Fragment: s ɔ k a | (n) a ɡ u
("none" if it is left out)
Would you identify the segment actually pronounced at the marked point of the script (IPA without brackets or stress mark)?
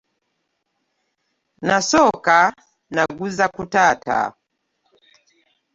n